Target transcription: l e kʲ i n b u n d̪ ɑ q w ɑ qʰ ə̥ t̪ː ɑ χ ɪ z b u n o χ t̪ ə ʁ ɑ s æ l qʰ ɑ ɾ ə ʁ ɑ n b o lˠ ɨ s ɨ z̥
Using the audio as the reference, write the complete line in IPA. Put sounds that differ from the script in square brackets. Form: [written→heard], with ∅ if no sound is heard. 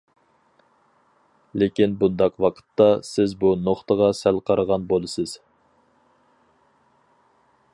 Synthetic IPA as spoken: l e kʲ i n b u n d̪ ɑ q w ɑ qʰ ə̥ t̪ː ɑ [χ→s] ɪ z b u n o χ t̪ ə ʁ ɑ s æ l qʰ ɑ ɾ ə ʁ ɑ n b o lˠ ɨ s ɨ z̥